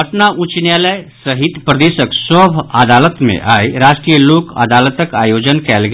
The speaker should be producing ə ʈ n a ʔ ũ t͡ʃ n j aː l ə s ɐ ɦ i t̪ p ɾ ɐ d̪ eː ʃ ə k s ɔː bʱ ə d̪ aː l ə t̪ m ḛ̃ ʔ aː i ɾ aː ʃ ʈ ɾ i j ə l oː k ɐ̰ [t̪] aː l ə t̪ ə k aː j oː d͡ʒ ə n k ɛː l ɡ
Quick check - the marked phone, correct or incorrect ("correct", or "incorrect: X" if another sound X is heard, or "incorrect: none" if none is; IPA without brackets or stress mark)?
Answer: incorrect: d̪